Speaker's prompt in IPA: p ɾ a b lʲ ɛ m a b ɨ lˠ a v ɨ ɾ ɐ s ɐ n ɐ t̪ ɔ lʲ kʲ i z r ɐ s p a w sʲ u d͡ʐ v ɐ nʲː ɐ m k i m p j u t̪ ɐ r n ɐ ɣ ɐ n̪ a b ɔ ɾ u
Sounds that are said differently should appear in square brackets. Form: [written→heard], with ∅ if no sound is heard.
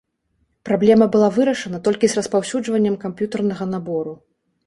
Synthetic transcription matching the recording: p ɾ a b lʲ ɛ m [a→ɐ] b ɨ lˠ a v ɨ ɾ ɐ [s→ʂ] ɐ n ɐ t̪ ɔ lʲ kʲ i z r ɐ s p a w sʲ u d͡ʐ v ɐ nʲː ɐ m k [i→a] m p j u t̪ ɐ r n ɐ ɣ ɐ n̪ a b ɔ ɾ u